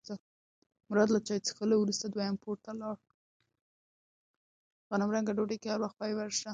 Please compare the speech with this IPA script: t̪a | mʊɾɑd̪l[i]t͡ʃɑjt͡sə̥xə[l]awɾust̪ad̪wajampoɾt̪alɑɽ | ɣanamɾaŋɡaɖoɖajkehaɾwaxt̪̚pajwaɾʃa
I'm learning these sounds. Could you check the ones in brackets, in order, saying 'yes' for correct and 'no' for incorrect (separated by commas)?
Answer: no, yes